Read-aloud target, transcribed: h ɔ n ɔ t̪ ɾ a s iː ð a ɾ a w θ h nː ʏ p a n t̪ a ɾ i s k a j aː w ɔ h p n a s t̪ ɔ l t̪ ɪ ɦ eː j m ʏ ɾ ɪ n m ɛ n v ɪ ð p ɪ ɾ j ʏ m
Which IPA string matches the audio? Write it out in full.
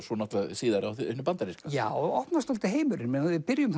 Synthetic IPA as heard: s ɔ n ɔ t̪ l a s iː ð a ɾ a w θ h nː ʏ p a n t̪ a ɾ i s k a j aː w ɔ h p n a s t̪ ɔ l t̪ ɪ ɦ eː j m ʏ ɾ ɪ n m ɛ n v ɪ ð p ɪ ɾ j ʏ m